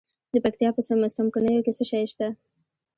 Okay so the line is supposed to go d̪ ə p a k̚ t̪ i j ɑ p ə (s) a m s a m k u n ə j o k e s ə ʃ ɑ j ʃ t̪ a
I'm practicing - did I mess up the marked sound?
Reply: no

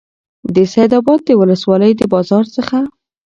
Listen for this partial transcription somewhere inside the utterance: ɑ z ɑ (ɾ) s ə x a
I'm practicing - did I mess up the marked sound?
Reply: no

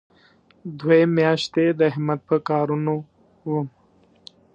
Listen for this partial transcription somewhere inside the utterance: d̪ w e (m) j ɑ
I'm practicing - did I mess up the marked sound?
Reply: no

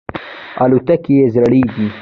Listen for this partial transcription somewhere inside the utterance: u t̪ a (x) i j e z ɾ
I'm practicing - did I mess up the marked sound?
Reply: yes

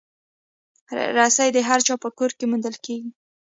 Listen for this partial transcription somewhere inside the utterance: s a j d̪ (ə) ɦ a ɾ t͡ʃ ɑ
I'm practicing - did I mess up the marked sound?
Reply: no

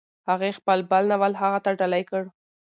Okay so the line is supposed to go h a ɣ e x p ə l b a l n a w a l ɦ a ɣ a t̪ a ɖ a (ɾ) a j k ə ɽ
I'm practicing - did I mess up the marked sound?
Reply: yes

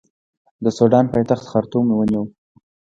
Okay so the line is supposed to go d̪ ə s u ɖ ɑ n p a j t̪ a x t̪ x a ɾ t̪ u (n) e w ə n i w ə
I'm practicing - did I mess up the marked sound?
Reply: yes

